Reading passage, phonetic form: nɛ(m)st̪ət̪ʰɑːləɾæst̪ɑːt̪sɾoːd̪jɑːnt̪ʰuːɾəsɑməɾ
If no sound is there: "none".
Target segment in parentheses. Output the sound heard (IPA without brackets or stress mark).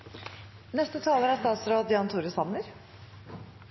none